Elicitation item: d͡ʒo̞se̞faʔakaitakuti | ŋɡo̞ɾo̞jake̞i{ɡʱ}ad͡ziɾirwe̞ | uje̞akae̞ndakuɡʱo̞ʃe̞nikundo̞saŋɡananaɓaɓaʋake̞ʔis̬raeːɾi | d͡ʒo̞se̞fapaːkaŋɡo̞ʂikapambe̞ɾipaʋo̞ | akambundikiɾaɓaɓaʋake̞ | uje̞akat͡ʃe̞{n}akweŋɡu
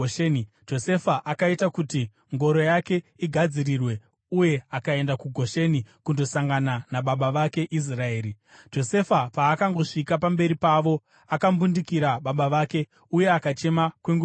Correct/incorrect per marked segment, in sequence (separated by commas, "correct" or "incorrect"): correct, incorrect